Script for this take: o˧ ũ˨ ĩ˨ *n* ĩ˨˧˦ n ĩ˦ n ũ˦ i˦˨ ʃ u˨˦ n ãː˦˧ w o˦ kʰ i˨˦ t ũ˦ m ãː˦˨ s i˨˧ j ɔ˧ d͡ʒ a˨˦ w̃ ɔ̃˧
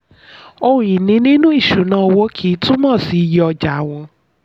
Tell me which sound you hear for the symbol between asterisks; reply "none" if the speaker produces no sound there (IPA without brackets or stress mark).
n